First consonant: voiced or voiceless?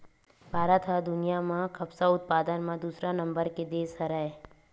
voiced